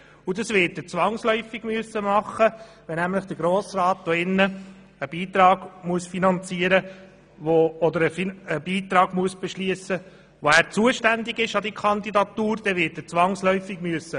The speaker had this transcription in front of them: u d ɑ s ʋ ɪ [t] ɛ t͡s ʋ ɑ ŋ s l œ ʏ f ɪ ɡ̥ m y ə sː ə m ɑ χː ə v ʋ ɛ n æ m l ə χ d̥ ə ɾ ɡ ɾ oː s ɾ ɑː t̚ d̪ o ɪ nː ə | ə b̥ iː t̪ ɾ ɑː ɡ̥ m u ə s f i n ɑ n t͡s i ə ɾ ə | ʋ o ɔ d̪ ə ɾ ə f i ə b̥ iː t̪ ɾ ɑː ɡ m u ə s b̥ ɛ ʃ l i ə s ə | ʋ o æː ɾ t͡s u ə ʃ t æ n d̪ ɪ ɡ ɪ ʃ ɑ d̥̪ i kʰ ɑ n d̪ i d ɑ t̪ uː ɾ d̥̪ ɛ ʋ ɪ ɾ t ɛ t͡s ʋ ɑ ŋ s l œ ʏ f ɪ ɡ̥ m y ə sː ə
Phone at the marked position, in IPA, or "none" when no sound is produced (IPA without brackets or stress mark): t